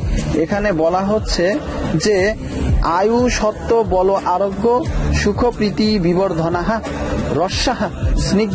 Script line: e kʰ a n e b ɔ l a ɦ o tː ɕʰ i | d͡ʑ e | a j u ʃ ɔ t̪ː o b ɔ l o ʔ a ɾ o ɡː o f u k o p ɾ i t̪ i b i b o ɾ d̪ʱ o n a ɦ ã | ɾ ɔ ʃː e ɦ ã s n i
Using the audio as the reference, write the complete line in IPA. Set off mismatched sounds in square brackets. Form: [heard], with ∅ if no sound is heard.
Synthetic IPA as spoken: e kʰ a n e b ɔ l a ɦ o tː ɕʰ [e] | d͡ʑ e | a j u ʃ ɔ t̪ː o b ɔ l o ʔ a ɾ o ɡː o [ʃ] u [kʰ] o p ɾ i t̪ i b i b o ɾ d̪ʱ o n a ɦ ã | ɾ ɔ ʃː [a] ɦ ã s n i